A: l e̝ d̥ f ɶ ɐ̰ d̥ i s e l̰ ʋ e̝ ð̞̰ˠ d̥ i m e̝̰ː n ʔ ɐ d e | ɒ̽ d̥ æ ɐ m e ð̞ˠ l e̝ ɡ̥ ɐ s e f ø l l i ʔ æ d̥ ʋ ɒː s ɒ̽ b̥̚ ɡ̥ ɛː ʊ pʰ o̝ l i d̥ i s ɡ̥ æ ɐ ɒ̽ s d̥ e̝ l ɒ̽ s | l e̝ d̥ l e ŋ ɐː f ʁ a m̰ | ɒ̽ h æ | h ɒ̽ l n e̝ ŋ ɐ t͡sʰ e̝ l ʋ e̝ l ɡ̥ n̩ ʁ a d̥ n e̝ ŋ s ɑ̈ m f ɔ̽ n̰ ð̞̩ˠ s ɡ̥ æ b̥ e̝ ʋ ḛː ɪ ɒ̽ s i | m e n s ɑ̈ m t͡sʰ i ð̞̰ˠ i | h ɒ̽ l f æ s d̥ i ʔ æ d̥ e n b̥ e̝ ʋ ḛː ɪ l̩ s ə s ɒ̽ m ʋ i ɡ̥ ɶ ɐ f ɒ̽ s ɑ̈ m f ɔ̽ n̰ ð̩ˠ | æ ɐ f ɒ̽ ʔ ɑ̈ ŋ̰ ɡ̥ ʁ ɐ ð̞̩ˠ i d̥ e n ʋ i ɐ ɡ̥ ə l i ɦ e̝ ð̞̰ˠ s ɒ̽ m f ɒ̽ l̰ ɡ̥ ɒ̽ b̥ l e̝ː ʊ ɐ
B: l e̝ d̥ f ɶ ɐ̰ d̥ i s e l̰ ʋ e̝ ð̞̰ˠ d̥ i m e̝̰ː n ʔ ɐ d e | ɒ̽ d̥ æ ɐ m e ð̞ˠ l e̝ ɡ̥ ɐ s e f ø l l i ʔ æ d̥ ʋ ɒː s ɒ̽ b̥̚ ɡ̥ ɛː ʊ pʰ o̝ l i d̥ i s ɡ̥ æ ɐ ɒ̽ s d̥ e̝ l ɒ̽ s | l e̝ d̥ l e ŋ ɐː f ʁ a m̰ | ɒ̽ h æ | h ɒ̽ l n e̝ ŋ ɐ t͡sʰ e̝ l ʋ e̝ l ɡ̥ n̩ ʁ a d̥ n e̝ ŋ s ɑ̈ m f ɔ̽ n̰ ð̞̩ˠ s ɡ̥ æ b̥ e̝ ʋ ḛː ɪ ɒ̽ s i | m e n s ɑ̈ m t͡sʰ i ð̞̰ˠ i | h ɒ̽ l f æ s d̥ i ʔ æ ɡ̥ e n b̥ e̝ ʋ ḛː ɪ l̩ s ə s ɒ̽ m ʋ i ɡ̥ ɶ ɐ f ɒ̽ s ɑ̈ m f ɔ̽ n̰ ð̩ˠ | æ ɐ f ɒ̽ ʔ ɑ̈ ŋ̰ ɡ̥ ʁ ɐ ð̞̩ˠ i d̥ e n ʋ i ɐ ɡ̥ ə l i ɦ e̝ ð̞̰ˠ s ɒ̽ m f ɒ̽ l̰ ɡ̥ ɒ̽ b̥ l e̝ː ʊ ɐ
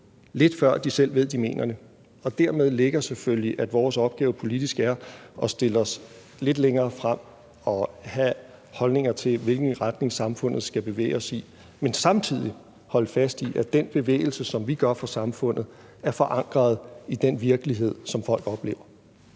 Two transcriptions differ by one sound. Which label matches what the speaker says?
A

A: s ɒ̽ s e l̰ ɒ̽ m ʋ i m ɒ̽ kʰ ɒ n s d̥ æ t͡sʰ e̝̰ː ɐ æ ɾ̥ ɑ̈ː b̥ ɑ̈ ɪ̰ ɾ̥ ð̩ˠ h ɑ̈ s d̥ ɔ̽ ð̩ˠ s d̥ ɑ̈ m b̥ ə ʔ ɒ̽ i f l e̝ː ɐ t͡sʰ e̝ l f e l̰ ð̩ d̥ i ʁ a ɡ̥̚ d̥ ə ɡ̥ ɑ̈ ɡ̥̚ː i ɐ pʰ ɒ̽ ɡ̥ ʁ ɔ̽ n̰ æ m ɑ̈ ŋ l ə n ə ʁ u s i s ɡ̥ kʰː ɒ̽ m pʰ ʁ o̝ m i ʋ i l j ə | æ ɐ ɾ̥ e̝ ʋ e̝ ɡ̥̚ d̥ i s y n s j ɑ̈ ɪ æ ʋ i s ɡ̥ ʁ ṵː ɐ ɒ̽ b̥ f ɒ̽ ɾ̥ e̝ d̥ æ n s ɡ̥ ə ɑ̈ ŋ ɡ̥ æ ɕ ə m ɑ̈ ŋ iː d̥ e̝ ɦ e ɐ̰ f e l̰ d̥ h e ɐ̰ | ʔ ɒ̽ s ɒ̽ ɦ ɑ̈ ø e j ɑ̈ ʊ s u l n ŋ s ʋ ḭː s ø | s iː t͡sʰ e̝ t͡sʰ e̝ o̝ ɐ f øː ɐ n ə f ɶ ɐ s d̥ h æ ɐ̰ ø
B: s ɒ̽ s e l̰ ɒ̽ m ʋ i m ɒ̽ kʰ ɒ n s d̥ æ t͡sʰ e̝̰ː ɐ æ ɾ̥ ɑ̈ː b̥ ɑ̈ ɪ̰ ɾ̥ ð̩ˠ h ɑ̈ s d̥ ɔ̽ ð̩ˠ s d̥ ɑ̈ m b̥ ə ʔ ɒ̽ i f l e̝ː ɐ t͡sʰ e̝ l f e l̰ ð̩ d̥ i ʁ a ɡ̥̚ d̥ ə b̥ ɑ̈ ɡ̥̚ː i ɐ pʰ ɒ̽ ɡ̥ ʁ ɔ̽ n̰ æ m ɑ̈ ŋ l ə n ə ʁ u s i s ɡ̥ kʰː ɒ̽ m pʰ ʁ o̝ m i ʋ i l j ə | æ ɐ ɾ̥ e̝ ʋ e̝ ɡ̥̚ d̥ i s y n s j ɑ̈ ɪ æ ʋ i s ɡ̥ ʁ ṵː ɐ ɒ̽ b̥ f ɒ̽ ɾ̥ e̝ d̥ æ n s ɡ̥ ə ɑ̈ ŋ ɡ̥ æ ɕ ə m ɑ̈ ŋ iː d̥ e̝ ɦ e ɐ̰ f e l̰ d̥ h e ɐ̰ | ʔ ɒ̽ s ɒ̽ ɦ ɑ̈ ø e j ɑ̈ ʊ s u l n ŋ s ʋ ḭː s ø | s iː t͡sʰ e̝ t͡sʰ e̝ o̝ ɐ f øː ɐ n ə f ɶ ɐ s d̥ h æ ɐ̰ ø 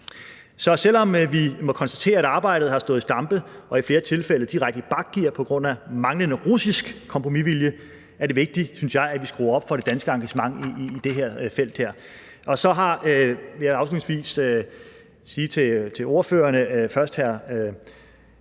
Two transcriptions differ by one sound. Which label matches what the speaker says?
B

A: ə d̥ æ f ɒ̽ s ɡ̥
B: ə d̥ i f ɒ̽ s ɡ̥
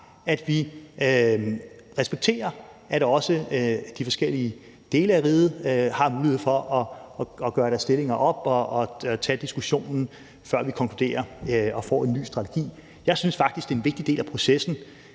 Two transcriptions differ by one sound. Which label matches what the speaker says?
B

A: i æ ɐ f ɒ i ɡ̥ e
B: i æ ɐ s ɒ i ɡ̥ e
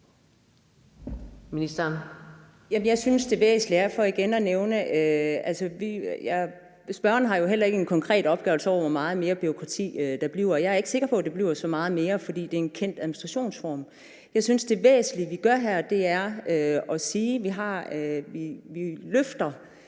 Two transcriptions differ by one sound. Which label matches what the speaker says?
A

